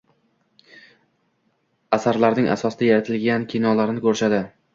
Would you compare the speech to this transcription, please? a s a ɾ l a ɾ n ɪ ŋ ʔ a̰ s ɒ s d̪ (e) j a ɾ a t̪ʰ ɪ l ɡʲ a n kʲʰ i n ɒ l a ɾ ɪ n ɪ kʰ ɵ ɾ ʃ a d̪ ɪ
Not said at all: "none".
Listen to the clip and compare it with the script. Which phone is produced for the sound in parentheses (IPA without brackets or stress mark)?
a